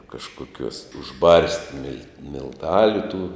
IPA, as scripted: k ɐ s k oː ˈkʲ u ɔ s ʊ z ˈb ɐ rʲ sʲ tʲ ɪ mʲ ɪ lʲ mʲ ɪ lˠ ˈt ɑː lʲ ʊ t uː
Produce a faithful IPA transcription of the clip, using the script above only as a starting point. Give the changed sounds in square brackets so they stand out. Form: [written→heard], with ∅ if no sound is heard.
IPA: k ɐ [s→ʃ] k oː ˈkʲ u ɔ s ʊ [z→ʒ] ˈb ɐ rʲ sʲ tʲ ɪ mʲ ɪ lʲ mʲ ɪ lˠ ˈt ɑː lʲ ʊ t uː